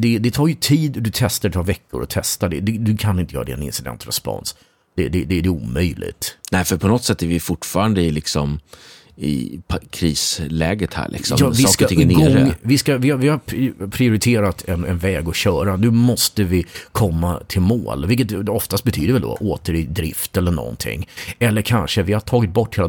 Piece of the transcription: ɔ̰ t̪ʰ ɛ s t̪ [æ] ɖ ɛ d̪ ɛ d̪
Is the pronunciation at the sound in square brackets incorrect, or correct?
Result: incorrect